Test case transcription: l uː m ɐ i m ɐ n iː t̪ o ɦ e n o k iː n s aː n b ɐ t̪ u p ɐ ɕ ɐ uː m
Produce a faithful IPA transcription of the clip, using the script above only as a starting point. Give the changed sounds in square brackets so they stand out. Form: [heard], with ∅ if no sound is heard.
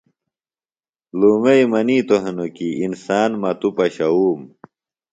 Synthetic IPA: l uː m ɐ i m ɐ n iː t̪ o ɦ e n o k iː n s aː n [m] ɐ t̪ u p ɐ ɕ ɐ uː m